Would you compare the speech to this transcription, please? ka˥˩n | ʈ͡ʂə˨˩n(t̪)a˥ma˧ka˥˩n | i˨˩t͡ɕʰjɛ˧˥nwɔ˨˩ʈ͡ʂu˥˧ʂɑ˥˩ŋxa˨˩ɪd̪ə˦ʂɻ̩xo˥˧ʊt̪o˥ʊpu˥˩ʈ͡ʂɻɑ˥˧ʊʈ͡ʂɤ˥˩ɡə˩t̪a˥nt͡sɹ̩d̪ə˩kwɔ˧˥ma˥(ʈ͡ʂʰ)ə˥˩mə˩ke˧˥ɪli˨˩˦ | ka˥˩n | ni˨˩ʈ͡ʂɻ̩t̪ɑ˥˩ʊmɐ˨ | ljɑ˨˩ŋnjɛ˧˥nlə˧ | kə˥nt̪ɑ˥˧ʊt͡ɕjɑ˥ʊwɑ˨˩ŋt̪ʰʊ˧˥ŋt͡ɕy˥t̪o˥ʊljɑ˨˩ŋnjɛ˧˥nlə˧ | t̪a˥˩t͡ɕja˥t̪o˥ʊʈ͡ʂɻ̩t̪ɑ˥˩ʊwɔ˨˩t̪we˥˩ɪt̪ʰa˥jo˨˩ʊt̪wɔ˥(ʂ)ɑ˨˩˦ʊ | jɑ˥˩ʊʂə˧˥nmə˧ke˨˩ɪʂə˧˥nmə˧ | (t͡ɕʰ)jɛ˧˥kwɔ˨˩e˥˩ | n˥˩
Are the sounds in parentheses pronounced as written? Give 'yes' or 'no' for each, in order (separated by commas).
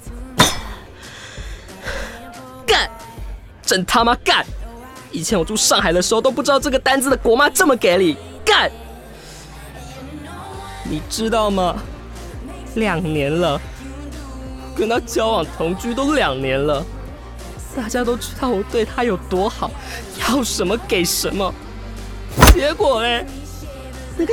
no, no, no, no